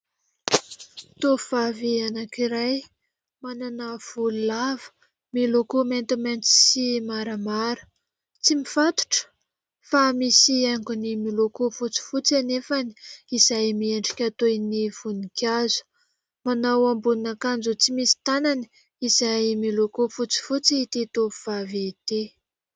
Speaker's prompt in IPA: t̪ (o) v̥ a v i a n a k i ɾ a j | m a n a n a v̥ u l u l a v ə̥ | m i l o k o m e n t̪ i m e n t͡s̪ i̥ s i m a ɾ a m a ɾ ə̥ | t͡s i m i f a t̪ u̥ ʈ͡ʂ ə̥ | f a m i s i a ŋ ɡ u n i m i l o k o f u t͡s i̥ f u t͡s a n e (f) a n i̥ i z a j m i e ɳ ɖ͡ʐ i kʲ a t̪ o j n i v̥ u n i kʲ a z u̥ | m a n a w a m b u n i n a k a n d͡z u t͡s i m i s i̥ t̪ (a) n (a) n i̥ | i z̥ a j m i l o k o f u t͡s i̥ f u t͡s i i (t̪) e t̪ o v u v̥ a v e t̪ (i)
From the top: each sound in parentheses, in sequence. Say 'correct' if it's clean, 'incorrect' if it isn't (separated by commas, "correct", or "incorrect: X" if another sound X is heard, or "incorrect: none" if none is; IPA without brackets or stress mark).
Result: correct, correct, correct, correct, correct, incorrect: e